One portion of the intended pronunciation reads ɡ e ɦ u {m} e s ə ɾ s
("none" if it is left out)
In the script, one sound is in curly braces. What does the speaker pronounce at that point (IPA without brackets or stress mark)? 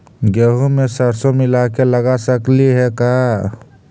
m